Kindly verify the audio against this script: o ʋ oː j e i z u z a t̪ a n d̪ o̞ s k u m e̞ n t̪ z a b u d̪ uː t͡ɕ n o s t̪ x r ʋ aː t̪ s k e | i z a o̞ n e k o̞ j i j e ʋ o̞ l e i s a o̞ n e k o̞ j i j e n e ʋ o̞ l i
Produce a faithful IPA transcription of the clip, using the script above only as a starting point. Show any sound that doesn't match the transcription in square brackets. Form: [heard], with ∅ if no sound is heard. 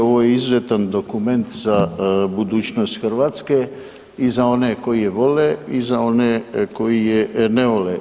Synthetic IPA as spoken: o ʋ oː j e i z u z [e] t̪ a n d̪ o̞ [∅] k u m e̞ n t̪ z a b u d̪ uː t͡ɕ n o s t̪ x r ʋ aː t̪ s k e | i z a o̞ n e k o̞ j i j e ʋ o̞ l e i [z] a o̞ n e k o̞ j i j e n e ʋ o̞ l [e]